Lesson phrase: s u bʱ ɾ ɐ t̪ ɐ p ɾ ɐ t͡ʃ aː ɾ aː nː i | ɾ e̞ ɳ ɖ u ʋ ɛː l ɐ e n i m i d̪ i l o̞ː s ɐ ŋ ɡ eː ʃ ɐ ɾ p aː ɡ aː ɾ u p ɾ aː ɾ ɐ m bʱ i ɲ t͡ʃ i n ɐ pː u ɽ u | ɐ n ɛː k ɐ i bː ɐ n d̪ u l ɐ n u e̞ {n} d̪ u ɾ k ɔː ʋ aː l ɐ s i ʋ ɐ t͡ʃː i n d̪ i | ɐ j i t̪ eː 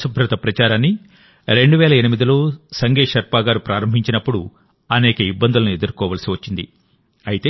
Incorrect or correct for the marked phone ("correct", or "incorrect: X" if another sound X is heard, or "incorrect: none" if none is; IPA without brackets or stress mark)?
incorrect: none